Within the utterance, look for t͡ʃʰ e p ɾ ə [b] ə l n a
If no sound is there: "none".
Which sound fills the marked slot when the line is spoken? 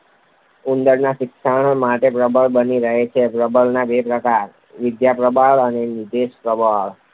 b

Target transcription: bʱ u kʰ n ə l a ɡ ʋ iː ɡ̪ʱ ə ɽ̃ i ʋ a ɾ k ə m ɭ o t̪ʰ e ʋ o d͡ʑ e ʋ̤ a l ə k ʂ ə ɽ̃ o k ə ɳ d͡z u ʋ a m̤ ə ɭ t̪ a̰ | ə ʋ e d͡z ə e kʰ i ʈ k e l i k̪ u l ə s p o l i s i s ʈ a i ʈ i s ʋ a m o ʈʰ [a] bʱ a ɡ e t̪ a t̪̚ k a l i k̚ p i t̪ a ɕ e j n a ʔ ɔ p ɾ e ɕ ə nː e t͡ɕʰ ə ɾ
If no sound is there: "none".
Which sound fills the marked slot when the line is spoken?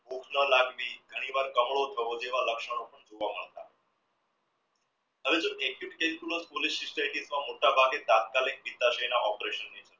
a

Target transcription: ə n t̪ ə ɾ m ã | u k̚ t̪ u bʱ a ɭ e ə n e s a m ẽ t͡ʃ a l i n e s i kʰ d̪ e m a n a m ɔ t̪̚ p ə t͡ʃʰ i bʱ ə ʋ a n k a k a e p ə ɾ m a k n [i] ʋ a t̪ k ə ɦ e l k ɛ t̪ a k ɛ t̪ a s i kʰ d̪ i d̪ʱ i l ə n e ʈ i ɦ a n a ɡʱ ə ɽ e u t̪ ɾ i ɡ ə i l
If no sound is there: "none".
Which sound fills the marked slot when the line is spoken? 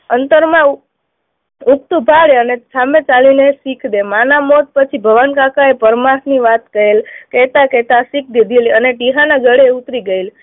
i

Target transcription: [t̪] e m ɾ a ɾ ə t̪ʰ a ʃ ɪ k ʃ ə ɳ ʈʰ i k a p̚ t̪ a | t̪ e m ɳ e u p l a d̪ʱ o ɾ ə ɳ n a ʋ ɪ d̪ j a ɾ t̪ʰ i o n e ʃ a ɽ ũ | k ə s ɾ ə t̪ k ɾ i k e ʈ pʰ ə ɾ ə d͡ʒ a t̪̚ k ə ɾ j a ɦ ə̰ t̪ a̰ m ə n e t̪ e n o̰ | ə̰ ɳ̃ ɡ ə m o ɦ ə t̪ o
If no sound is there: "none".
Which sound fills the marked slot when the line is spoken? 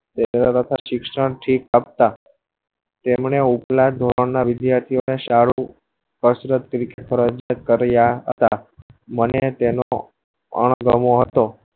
t̪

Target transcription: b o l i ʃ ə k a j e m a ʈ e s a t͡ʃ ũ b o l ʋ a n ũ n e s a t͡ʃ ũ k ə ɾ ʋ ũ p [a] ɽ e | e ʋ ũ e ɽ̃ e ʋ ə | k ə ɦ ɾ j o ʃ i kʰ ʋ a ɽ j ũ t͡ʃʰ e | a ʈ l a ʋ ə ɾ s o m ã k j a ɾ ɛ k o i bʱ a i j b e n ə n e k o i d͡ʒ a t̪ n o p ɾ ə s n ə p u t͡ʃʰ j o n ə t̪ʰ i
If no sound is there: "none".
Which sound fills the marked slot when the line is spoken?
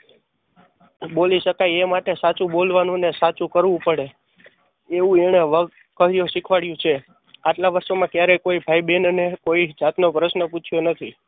ə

